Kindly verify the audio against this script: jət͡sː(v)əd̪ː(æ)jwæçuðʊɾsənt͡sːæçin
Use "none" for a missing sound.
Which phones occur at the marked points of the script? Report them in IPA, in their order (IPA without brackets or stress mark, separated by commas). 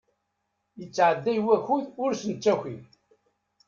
ʕ, æ